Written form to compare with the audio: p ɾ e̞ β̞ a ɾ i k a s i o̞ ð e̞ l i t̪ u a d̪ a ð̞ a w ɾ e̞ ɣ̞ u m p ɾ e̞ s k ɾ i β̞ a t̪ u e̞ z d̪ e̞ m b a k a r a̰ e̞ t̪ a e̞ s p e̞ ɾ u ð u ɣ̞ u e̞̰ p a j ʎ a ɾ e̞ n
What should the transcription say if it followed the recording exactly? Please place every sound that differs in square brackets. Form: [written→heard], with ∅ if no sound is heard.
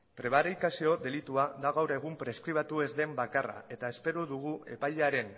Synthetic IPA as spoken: p ɾ e̞ β̞ a ɾ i k a s i o̞ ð e̞ l i t̪ u a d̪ a [ð̞→ɣ̞] a w ɾ e̞ ɣ̞ u m p ɾ e̞ s k ɾ i β̞ a t̪ u e̞ z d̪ e̞ m b a k a r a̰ e̞ t̪ a e̞ s p e̞ ɾ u ð u ɣ̞ u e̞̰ p a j ʎ a ɾ e̞ n